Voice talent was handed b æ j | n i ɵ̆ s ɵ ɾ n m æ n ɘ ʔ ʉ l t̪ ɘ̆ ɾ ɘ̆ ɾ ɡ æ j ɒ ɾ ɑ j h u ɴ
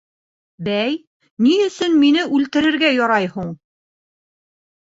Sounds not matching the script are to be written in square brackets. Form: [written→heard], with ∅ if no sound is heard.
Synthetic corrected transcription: b æ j | n i ɵ̆ s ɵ [ɾ→∅] n m [æ→i] n ɘ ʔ ʉ l t̪ ɘ̆ ɾ ɘ̆ ɾ ɡ æ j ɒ ɾ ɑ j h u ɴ